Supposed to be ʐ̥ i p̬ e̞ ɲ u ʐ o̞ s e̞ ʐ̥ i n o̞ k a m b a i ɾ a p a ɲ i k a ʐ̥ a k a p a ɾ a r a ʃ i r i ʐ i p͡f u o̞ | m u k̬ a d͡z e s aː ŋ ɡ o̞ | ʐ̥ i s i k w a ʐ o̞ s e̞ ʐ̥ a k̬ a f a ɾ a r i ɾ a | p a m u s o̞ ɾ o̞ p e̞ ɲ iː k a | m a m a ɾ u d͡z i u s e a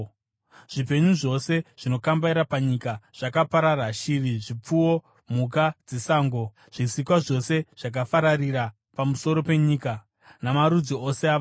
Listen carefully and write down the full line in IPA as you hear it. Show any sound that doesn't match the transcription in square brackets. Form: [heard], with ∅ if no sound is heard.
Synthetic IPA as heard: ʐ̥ i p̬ e̞ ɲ u ʐ o̞ s e̞ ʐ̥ i n o̞ k a m b a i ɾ a p a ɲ i k a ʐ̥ a k a p a ɾ a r a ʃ i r i ʐ i p͡f u o̞ | m u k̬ a d͡z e s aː ŋ ɡ o̞ | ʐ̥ i s i k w a ʐ o̞ s e̞ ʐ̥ a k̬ a f a ɾ a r i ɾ a | p a m u s o̞ ɾ o̞ p e̞ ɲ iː k a | [n] a m a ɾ u d͡z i [o] s e a